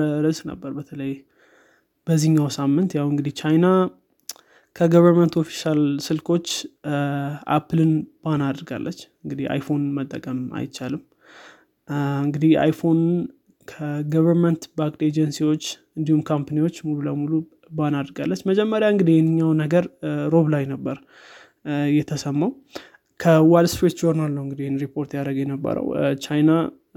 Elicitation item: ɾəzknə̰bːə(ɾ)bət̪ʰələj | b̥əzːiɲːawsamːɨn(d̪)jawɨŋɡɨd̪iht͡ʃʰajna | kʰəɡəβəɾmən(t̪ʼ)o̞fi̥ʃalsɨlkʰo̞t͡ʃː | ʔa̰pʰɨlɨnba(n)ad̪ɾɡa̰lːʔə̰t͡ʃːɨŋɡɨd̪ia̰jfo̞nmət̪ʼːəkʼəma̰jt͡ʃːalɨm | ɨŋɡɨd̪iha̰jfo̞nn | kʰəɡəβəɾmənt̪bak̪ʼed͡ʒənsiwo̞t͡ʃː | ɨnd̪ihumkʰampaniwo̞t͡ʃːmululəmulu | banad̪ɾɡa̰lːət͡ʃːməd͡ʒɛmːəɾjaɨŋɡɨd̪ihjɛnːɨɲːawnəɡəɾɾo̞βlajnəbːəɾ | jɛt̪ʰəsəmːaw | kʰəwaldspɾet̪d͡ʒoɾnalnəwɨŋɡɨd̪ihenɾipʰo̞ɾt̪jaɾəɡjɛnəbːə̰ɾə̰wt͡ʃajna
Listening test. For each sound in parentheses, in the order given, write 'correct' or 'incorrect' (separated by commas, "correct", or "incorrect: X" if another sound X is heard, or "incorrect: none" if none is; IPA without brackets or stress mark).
correct, incorrect: t̪, incorrect: t̪, correct